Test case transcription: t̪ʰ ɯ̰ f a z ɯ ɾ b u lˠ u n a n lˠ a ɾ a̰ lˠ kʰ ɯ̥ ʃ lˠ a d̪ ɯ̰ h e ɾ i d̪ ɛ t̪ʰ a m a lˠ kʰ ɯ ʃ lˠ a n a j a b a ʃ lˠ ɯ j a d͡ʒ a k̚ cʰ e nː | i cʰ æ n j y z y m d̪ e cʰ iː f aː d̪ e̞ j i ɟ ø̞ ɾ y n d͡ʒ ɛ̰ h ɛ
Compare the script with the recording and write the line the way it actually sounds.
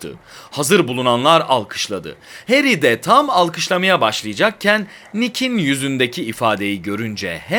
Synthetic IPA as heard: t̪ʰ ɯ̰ h a z ɯ ɾ b u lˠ u n a n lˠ a ɾ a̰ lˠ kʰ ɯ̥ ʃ lˠ a d̪ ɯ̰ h e ɾ i d̪ ɛ t̪ʰ a m a lˠ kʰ ɯ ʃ lˠ a m a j a b a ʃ lˠ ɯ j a d͡ʒ a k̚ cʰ æ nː | i cʰ i n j y z y n d̪ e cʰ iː f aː d̪ e̞ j i ɟ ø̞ ɾ y n d͡ʒ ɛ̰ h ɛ